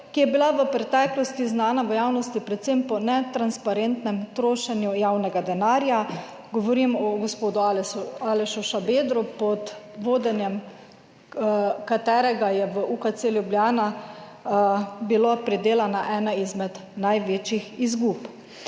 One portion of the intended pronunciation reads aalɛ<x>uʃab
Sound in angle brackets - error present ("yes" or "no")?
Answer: yes